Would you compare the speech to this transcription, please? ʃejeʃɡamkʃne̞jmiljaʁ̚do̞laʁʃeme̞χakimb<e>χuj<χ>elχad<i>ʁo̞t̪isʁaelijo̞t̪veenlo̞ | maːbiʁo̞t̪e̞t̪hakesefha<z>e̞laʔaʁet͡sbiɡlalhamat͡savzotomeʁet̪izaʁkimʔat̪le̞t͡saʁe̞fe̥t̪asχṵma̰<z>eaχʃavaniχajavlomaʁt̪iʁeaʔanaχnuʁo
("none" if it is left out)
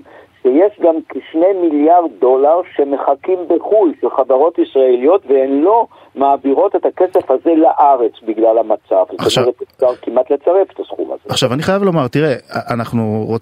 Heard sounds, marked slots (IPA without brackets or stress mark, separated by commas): e, ʃ, a, z, z